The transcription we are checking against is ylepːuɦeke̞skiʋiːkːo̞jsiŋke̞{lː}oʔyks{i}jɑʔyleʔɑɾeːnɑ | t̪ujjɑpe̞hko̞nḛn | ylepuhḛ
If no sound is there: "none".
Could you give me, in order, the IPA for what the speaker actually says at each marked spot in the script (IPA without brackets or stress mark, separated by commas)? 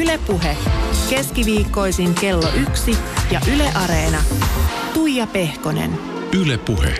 lː, i